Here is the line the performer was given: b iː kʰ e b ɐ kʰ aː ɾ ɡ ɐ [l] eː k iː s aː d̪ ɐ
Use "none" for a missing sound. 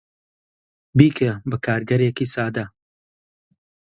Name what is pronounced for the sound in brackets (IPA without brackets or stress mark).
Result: ɾ